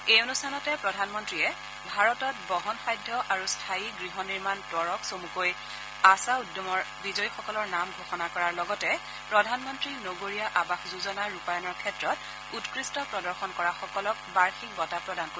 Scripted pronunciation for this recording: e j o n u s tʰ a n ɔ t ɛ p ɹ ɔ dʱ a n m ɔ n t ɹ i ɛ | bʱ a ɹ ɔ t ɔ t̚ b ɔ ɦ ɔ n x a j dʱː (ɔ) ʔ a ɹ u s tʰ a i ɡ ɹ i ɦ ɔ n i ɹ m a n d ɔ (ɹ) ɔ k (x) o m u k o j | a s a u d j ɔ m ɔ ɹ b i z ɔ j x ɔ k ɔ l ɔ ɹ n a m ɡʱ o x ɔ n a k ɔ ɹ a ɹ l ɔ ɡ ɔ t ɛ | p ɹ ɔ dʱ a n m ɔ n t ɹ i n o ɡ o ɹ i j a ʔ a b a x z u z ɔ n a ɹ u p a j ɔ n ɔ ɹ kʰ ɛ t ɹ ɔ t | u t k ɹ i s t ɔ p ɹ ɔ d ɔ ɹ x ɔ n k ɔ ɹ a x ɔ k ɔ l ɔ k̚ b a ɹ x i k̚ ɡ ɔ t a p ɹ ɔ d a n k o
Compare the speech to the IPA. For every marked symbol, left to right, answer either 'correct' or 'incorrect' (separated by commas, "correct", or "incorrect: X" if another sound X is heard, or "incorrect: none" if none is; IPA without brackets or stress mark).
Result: correct, correct, incorrect: s